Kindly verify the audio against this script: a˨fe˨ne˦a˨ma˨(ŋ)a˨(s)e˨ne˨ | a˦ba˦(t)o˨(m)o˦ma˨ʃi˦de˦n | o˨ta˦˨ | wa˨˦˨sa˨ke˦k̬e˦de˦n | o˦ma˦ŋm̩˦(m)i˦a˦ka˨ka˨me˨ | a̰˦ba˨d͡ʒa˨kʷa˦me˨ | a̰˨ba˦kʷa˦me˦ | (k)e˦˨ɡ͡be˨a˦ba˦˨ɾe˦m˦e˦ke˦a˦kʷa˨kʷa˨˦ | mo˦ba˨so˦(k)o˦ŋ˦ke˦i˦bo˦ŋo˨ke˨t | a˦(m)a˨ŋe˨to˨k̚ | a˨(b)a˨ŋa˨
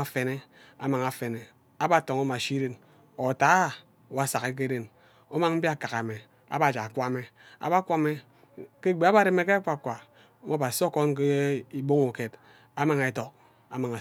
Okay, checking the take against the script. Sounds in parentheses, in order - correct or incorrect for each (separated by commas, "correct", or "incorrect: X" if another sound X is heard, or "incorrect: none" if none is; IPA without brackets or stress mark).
correct, incorrect: f, correct, incorrect: ŋ, incorrect: b, correct, correct, correct, incorrect: m